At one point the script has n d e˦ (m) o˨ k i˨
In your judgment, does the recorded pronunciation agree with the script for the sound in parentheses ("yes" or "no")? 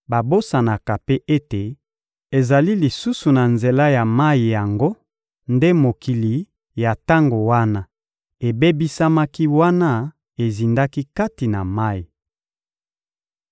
yes